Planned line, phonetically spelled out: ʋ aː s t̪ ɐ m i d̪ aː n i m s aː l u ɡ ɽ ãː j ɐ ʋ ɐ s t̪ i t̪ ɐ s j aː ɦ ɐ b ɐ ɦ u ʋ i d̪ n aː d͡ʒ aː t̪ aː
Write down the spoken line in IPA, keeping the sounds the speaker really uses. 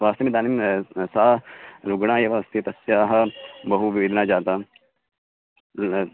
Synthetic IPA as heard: ʋ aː s t̪ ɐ m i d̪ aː n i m s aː ɾ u ɡ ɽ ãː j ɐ ʋ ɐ s t̪ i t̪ ɐ s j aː ɦ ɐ b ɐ ɦ u ʋ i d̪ n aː d͡ʒ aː t̪ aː